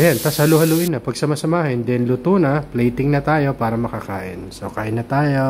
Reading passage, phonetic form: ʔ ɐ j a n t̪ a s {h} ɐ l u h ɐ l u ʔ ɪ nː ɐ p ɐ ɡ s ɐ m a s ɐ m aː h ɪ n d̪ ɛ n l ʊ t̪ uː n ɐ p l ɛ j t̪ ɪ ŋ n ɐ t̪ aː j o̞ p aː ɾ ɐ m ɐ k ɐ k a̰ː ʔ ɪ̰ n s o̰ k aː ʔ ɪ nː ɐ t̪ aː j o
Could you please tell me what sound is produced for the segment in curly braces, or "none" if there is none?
h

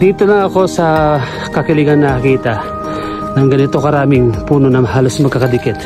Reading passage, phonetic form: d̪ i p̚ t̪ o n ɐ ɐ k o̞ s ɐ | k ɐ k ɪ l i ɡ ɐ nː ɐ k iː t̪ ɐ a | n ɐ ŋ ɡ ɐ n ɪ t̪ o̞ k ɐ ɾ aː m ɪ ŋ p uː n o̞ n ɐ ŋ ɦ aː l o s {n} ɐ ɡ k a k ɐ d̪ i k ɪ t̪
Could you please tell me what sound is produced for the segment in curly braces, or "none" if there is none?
m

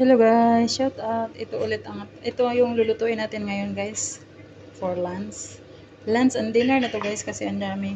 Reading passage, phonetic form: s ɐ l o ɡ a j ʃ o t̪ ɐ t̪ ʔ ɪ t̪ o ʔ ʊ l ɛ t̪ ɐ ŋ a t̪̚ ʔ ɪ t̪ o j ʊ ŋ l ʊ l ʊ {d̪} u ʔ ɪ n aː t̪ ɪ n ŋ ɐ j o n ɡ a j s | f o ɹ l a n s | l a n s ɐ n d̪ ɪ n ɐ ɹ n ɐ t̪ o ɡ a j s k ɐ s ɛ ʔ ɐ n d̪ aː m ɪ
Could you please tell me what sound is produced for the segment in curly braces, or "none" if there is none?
t̪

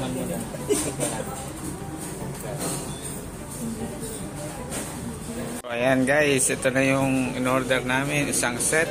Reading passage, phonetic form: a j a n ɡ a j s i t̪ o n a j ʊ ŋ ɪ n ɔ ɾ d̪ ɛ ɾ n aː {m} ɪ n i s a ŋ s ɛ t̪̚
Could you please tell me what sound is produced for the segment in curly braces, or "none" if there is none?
m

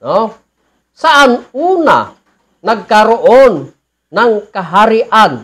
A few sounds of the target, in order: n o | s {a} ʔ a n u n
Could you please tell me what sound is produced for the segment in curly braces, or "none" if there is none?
a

